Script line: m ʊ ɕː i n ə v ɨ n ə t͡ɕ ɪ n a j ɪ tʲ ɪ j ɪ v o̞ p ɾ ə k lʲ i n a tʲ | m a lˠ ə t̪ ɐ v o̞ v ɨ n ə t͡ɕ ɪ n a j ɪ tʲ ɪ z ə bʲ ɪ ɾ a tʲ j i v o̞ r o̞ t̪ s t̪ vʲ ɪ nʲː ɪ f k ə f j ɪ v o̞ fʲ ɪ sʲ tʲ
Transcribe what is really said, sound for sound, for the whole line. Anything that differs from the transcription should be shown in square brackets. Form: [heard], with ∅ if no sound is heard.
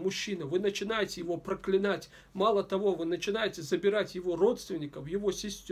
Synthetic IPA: m ʊ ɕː i n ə v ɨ n ə t͡ɕ ɪ n a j ɪ tʲ ɪ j ɪ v o̞ p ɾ ə k lʲ [ɪ] n a tʲ | m a lˠ ə t̪ ɐ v o̞ v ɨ n ə t͡ɕ ɪ n a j ɪ tʲ ɪ z ə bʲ ɪ ɾ a tʲ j [ɪ] v o̞ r o̞ t̪ s t̪ vʲ ɪ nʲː ɪ [∅] k ə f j ɪ v o̞ [sʲ] ɪ sʲ tʲ